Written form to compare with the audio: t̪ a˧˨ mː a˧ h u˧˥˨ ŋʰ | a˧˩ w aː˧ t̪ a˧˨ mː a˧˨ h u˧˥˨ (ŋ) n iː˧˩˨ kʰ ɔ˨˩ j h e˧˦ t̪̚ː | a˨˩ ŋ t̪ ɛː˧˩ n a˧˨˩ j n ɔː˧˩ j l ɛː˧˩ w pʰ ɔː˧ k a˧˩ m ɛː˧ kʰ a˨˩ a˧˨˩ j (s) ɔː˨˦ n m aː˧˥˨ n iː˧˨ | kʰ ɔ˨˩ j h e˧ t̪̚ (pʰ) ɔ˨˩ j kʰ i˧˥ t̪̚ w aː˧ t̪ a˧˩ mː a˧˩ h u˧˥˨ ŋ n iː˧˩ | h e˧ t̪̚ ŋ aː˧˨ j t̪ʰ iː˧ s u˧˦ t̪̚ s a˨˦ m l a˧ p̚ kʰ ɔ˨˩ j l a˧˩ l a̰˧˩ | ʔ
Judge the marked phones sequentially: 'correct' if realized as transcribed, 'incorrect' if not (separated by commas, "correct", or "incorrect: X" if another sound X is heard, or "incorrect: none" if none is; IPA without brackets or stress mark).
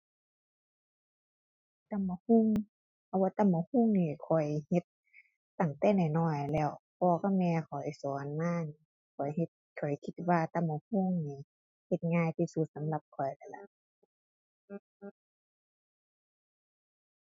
correct, correct, incorrect: kʰ